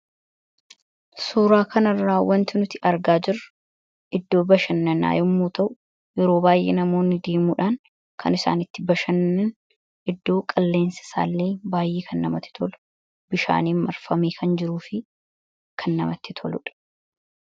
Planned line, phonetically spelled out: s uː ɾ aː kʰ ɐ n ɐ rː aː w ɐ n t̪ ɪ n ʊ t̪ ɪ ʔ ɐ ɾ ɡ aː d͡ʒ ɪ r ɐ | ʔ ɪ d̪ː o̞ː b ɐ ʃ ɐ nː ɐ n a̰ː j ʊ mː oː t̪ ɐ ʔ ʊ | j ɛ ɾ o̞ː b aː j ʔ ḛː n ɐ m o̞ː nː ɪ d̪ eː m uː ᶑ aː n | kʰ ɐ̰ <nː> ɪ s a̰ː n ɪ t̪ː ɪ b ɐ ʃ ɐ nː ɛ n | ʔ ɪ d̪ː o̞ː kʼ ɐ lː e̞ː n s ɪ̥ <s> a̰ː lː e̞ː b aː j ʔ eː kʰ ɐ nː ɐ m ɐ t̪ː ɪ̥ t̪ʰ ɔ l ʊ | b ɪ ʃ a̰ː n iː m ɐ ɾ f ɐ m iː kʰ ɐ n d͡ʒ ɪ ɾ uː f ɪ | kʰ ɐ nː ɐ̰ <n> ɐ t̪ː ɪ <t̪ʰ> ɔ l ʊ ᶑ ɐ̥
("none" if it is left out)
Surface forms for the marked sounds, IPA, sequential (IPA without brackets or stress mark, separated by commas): n, s, m, t̪ʰ